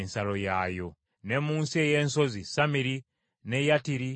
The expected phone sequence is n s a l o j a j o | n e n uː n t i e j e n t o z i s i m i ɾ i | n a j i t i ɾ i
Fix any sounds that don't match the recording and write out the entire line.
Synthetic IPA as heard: n s a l o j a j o | n e m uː n s i e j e n s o z i s a m i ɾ i | n e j a t i ɾ i